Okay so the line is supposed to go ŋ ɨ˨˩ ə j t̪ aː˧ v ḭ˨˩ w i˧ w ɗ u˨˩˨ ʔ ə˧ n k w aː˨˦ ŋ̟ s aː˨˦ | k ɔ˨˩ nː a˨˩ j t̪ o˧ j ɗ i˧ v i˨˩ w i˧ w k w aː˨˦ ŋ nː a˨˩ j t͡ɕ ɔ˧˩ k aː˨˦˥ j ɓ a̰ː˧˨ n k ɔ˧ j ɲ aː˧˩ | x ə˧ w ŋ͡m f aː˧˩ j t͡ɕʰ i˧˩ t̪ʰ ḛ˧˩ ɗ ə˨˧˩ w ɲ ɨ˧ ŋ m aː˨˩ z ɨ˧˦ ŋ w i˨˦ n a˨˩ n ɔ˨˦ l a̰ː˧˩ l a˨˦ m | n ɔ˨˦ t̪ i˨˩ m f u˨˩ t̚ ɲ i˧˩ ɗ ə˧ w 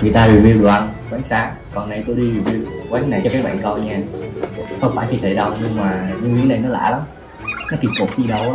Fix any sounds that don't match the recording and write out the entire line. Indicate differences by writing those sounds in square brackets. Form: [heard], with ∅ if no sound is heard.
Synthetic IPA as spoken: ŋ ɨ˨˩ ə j t̪ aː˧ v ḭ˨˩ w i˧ w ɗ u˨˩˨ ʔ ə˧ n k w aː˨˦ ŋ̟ s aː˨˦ | k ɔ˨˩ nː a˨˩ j t̪ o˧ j ɗ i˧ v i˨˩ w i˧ w k w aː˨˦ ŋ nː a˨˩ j t͡ɕ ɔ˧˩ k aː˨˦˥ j ɓ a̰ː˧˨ n k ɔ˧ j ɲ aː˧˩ | x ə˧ w ŋ͡m f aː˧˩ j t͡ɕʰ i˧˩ t̪ʰ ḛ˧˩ ɗ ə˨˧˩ w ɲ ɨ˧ ŋ m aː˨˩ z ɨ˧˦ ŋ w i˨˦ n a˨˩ n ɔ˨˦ l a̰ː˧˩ l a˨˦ m | n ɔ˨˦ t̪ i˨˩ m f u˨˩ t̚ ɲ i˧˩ ɗ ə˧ w